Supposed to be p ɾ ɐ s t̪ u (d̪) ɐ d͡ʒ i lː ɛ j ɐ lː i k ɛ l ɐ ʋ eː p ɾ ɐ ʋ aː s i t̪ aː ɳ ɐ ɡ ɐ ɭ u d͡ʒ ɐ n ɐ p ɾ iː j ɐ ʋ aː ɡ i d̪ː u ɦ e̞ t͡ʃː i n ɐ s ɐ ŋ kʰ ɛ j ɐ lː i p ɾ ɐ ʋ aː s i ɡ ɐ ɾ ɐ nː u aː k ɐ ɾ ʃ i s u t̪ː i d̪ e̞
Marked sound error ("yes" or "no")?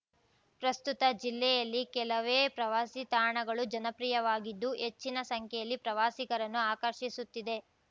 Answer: yes